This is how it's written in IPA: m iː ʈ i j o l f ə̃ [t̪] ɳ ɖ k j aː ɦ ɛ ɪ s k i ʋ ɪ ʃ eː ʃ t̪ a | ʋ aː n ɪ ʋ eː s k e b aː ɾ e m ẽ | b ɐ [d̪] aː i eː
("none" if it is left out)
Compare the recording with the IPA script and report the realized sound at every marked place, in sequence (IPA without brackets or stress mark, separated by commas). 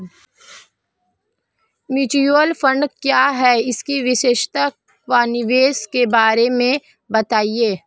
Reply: none, t̪